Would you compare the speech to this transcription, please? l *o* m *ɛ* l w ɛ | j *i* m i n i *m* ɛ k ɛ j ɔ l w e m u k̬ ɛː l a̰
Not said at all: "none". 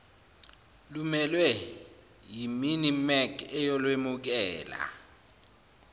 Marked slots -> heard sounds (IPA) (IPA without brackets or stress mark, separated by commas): u, ɛ, i, m